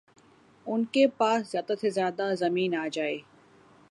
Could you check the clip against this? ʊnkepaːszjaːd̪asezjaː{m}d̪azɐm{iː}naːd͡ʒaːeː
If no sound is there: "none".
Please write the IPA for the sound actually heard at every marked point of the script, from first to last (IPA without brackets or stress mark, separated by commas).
none, iː